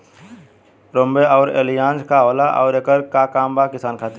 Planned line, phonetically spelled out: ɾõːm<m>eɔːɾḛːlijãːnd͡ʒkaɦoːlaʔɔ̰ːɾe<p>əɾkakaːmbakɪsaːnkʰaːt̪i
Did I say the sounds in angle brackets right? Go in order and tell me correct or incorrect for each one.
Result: incorrect, incorrect

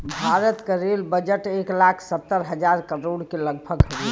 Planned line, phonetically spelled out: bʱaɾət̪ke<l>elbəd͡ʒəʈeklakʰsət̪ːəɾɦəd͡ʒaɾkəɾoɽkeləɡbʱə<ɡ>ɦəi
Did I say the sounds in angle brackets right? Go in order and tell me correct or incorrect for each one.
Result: incorrect, correct

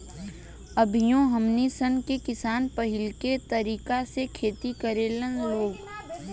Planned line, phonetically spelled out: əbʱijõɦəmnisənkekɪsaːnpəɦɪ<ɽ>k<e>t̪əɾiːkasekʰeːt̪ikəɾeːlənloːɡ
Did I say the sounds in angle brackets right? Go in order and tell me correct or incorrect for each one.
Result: incorrect, correct

